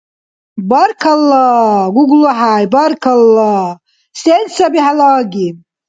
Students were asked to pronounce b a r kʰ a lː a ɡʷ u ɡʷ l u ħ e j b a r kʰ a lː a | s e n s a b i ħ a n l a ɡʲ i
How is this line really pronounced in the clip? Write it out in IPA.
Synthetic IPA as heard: b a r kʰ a lː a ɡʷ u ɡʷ l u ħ a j b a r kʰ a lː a | s e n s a b i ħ a l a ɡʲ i